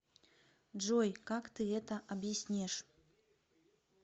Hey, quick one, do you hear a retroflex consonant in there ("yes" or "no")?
yes